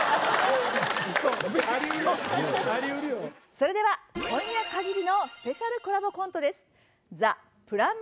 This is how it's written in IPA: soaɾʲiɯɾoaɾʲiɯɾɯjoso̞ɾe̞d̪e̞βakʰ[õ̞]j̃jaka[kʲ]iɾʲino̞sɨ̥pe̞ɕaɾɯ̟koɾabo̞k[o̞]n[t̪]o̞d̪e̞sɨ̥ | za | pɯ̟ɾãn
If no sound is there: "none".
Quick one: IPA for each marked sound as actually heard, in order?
õ̞, ɡʲ, õ̞, t̪

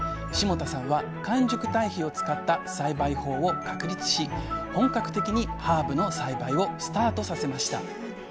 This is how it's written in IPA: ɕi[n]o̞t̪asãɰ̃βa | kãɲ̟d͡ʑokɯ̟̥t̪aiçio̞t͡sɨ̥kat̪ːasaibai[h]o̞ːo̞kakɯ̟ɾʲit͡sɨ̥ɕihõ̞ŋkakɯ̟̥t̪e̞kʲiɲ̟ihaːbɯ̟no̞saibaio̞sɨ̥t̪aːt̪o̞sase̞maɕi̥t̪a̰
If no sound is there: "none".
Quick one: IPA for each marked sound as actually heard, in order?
m, h

